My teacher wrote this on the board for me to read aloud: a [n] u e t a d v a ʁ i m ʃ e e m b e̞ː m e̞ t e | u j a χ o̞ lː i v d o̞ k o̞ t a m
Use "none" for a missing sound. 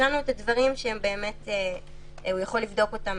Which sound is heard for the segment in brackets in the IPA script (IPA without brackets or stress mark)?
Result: n